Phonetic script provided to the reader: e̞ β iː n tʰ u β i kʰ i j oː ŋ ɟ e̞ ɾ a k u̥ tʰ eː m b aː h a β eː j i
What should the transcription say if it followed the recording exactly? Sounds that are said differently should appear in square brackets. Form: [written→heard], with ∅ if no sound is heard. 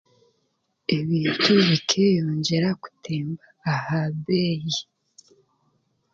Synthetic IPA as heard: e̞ β iː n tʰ u β i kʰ [i→e] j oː [ŋ→ɲ] ɟ e̞ ɾ a k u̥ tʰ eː m b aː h a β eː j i